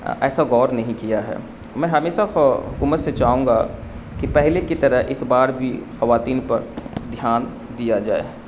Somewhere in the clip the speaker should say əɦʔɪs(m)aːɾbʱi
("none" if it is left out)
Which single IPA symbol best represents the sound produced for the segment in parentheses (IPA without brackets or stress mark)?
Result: b